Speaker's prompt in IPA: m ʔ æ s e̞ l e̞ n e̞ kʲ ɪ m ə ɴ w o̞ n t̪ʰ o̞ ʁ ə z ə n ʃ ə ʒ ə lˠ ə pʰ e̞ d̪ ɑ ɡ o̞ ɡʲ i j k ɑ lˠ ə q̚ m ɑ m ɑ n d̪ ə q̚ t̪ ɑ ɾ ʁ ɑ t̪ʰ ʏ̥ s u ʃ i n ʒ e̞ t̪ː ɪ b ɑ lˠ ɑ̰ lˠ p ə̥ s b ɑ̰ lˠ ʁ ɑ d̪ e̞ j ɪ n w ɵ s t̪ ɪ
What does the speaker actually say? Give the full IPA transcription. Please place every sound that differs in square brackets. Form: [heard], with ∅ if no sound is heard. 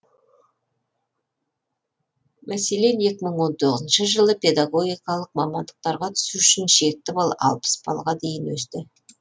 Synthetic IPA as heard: m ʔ æ s e̞ l e̞ n e̞ kʲ ɪ m ə ɴ w o̞ n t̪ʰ o̞ ʁ ə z ə n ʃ ə ʒ ə lˠ ə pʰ e̞ d̪ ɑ ɡ o̞ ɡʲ i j k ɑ lˠ ə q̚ m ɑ m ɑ n d̪ ə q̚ t̪ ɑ ɾ ʁ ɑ t̪ʰ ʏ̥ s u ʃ [ɪ] n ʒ e̞ t̪ː ɪ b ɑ lˠ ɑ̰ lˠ p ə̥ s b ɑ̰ lˠ ʁ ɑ d̪ e̞ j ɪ n w ɵ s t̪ ɪ